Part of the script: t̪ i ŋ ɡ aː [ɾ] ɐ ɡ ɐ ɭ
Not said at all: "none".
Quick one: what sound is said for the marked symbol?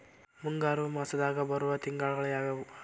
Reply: ɭ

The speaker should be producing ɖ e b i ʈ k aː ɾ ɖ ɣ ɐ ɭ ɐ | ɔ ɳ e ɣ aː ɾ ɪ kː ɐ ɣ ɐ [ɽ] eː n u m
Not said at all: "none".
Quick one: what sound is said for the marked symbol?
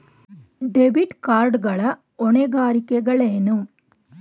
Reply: ɭ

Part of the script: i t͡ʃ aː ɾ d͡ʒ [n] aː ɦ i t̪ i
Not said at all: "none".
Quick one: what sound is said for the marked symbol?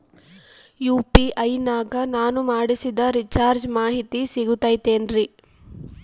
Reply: m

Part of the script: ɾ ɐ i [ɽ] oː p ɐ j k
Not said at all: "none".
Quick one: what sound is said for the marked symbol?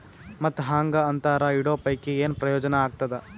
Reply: ɽ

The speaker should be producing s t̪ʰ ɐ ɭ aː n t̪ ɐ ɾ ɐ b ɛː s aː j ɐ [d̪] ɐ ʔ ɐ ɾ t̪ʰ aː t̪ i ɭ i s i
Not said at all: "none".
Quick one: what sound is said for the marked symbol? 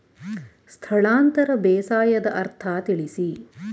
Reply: d̪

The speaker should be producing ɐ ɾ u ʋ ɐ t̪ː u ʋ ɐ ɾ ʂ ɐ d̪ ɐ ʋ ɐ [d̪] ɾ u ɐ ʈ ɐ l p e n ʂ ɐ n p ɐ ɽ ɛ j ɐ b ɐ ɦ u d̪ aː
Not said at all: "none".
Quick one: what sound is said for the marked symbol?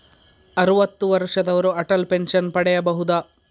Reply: none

